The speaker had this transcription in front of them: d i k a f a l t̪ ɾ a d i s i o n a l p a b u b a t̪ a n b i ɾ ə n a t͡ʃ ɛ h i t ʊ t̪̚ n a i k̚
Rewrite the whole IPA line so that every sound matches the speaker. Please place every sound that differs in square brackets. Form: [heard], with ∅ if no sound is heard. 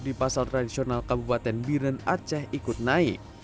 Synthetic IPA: d i [p] a [s] a l t̪ ɾ a d i s i o n a l [k] a b u [p] a t̪ [ɛ] n b i ɾ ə n a t͡ʃ ɛ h i [k] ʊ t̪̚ n a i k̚